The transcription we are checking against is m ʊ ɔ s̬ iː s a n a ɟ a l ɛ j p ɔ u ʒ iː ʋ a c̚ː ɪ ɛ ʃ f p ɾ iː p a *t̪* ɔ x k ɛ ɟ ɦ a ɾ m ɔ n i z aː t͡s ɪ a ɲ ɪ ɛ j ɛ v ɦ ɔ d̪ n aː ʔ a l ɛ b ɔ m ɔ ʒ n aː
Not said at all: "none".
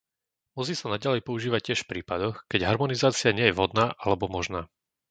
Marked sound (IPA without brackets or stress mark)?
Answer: d̪